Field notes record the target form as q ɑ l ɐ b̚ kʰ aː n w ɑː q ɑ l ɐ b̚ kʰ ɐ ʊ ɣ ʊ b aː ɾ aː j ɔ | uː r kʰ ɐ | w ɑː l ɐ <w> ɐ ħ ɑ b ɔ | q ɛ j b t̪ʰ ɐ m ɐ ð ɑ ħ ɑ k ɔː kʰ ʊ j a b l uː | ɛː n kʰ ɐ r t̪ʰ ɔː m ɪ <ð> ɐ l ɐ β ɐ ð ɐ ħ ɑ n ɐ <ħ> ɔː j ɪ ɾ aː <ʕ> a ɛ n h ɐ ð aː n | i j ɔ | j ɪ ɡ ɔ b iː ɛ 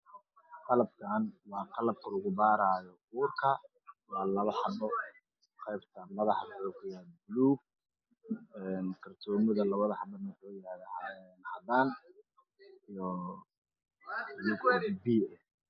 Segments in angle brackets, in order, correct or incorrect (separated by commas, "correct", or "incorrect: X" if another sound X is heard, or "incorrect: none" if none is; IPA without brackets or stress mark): incorrect: β, correct, correct, incorrect: ð